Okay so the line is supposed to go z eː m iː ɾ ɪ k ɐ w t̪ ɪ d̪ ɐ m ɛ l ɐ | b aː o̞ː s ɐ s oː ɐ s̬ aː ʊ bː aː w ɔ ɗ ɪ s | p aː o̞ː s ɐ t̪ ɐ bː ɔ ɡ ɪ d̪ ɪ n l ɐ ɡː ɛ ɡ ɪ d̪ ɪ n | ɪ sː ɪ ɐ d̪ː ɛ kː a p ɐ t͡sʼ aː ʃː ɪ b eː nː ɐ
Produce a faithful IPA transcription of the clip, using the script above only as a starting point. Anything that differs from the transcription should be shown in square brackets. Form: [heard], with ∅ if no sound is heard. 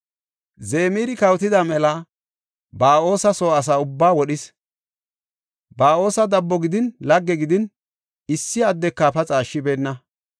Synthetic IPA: z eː m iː ɾ ɪ k ɐ w t̪ ɪ d̪ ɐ m ɛ l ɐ | b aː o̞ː s ɐ s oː ɐ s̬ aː ʊ bː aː w ɔ ɗ ɪ s | [b] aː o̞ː s ɐ [d̪] ɐ bː ɔ ɡ ɪ d̪ ɪ n l ɐ ɡː ɛ ɡ ɪ d̪ ɪ n | ɪ sː ɪ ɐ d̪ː ɛ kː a p ɐ t͡sʼ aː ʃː ɪ b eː nː ɐ